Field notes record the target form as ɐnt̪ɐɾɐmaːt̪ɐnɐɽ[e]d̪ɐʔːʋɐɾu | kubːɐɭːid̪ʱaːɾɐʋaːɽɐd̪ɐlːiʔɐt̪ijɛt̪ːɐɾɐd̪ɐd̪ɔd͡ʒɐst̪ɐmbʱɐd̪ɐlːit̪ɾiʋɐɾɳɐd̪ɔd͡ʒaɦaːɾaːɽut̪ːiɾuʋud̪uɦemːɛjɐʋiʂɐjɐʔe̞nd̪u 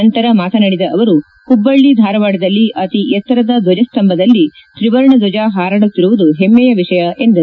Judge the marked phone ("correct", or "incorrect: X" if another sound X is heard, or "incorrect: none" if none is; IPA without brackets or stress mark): incorrect: i